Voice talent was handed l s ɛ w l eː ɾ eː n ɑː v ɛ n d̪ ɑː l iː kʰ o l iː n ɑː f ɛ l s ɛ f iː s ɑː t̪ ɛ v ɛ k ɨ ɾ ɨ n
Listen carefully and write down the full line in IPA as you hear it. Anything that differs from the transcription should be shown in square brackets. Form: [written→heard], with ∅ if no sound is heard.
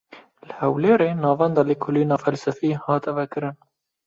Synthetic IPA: l [s→h] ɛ w l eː ɾ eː n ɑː v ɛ n d̪ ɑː l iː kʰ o l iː n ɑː f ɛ l s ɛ f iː [s→h] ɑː t̪ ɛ v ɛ k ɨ ɾ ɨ n